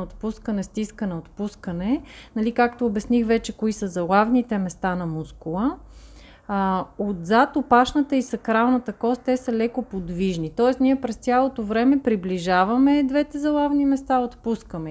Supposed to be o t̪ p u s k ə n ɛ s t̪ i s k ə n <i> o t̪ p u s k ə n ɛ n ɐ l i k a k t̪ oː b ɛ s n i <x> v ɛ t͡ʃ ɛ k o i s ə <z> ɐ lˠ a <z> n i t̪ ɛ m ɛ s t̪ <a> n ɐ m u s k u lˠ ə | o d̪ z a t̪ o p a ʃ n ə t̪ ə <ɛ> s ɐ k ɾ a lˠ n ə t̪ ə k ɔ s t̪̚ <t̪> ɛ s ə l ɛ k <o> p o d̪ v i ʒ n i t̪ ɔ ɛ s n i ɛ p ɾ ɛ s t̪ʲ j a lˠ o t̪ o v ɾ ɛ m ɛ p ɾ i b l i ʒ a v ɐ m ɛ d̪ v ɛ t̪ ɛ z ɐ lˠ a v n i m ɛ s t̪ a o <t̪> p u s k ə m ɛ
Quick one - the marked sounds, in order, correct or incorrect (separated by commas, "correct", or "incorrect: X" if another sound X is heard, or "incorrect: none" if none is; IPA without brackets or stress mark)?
incorrect: ɛ, correct, correct, incorrect: v, correct, incorrect: i, correct, correct, correct